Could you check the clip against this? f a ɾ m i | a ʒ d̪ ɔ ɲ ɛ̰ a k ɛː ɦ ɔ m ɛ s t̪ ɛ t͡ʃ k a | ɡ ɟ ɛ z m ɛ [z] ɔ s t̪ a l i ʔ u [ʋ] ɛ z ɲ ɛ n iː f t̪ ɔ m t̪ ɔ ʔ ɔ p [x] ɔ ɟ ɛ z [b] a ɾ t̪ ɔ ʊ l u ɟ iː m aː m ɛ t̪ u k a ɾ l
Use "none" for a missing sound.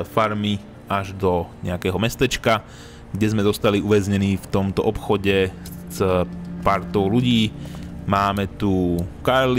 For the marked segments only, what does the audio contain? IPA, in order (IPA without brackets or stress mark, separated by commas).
z, ʋ, x, p